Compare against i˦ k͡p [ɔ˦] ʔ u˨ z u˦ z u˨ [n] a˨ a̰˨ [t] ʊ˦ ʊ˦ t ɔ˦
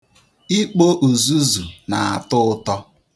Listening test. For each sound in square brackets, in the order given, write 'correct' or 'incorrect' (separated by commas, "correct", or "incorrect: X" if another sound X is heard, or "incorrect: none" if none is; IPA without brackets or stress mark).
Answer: incorrect: o˦, correct, correct